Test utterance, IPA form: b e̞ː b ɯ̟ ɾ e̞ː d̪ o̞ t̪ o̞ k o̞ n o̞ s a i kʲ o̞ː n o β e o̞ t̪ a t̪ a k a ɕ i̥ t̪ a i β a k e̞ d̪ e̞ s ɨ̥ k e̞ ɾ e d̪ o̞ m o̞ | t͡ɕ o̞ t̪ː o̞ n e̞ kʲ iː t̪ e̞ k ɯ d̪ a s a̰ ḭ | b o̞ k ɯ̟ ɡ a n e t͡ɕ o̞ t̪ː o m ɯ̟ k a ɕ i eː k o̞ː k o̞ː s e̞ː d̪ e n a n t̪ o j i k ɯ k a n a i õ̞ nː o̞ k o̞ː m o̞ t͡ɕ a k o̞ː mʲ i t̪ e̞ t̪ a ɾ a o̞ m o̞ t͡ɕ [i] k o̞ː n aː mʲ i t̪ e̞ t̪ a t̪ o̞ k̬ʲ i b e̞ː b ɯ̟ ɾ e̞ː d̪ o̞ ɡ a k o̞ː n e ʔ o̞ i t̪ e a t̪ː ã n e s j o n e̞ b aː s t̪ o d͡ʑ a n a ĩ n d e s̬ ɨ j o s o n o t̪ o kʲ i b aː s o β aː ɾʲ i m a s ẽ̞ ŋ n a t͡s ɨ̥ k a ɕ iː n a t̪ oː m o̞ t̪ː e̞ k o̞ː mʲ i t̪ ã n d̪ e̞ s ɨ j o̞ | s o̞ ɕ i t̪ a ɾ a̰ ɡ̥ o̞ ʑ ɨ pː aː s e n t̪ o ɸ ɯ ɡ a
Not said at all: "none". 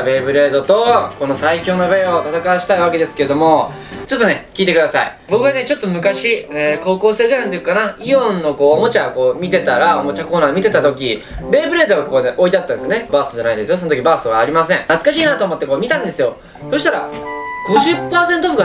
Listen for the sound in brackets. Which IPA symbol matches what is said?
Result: a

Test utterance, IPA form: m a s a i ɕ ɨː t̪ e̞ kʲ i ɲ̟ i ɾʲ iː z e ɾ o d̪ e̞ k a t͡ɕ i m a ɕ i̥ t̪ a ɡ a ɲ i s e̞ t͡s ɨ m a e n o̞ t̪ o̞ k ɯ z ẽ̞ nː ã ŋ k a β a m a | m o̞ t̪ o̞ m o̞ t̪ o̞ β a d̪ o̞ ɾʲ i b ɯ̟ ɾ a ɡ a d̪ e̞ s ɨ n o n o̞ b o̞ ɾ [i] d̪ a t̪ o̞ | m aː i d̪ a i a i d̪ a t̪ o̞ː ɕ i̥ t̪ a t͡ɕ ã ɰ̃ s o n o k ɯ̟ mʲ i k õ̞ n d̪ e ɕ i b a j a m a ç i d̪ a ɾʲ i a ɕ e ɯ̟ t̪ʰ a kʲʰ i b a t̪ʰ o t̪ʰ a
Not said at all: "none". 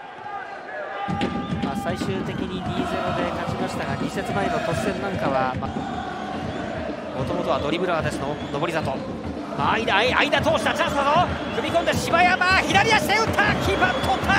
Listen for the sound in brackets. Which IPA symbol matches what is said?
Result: i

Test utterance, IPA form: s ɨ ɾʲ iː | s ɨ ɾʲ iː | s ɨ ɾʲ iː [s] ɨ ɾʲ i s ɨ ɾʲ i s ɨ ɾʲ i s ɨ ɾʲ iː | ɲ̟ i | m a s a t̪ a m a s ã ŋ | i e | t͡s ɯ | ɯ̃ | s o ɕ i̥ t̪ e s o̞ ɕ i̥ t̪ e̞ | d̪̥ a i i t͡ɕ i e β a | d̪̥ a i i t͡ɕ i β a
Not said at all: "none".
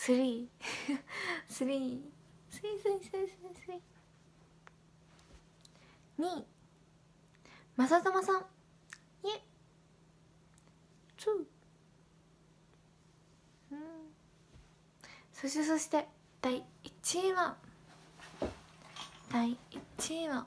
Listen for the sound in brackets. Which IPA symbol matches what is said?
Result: s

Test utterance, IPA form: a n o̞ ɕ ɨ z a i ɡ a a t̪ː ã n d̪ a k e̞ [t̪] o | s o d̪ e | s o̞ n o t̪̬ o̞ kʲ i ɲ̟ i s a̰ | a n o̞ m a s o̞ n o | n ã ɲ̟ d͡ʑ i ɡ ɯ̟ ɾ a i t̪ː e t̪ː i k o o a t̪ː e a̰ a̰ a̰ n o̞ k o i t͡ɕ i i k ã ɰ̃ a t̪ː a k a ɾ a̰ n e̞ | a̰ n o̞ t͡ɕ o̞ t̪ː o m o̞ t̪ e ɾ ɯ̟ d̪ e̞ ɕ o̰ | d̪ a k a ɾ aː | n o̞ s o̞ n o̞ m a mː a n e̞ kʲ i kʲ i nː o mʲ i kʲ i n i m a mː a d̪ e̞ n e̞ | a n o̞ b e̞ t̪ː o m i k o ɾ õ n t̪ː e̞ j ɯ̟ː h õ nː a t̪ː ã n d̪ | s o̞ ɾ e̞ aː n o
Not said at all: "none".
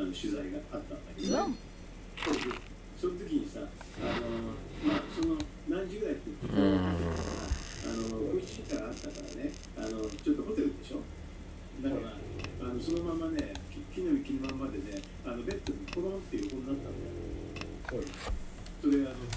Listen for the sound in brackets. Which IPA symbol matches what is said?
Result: d̪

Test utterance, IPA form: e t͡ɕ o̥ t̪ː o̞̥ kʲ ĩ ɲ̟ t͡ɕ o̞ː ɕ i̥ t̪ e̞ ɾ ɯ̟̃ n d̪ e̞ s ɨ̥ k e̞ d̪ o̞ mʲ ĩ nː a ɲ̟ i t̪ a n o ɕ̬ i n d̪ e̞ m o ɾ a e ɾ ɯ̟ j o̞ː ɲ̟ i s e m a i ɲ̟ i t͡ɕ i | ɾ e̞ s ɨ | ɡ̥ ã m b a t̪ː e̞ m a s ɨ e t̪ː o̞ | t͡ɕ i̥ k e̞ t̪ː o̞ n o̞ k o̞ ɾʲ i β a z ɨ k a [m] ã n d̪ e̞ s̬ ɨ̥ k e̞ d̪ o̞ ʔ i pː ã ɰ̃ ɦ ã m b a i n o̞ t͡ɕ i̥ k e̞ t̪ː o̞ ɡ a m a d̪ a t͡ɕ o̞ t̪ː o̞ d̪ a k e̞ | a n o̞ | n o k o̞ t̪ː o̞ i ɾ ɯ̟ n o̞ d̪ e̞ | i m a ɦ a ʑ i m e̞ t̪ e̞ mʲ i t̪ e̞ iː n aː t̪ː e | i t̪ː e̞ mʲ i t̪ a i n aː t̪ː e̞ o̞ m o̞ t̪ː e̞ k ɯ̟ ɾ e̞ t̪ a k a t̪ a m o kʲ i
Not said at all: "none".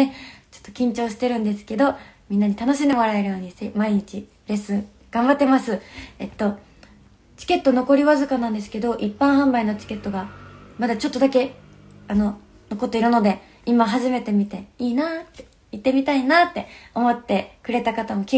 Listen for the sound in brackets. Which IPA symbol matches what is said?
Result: n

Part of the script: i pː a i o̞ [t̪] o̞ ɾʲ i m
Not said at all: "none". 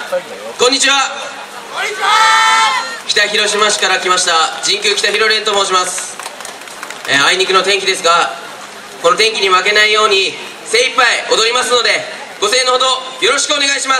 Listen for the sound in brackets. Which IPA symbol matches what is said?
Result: d̪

